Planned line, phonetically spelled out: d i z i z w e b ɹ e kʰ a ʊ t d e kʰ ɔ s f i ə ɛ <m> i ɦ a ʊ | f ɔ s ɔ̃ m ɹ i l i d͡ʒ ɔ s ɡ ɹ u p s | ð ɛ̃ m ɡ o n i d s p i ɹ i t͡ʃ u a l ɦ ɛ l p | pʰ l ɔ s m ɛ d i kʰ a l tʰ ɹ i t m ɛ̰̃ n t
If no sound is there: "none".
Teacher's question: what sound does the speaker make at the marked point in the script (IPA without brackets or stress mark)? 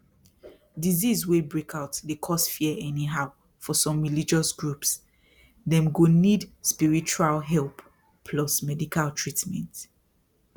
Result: n